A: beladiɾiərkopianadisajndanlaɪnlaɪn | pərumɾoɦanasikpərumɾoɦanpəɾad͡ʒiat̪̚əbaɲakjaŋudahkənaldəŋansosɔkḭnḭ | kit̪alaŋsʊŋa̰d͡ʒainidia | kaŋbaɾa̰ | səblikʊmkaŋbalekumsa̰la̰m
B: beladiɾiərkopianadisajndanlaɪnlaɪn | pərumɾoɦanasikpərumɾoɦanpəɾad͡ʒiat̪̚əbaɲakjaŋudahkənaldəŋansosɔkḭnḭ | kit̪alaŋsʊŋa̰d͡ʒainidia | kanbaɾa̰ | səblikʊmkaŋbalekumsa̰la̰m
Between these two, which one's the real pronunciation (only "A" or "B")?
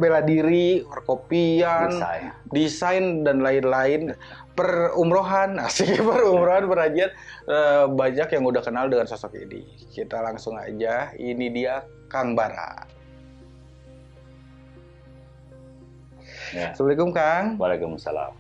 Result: A